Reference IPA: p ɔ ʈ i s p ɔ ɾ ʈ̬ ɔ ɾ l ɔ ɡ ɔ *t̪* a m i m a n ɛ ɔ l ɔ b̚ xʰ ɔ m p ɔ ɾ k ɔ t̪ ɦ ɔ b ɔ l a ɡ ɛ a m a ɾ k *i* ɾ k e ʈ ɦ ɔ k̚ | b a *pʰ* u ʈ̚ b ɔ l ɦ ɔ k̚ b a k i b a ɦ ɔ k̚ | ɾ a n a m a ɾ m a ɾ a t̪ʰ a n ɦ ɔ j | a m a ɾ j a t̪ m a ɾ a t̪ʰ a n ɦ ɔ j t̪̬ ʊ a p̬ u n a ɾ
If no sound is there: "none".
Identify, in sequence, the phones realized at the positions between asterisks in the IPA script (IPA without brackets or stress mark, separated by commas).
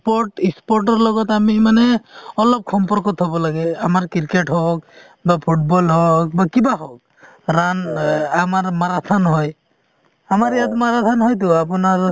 t̪, i, pʰ